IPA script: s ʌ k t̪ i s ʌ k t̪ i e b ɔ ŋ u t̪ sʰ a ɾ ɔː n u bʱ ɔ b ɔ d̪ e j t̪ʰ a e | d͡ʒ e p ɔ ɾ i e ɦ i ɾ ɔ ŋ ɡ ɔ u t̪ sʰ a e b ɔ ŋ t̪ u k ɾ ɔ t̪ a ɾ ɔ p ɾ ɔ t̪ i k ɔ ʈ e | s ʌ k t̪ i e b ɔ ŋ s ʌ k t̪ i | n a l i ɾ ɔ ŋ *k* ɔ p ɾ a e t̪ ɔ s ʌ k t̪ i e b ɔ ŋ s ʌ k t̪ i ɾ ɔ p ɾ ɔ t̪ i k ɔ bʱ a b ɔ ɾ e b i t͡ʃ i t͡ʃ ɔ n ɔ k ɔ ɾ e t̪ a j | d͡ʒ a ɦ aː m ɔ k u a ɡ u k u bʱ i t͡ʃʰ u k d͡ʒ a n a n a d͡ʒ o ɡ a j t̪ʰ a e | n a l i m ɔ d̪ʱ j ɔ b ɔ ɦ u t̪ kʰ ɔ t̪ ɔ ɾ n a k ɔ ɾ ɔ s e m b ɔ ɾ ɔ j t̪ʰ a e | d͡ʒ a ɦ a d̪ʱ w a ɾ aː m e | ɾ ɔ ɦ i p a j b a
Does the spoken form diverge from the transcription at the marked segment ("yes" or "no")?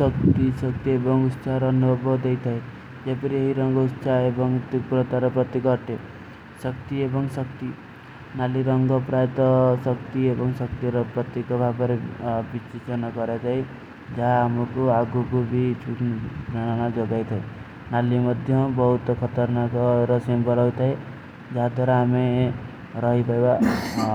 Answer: yes